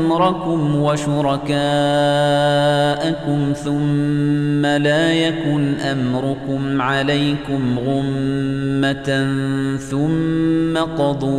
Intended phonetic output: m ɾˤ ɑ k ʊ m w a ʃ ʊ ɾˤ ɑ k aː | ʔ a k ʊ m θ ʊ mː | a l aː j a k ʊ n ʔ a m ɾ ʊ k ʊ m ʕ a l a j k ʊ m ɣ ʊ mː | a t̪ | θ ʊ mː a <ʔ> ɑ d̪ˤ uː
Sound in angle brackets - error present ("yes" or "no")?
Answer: yes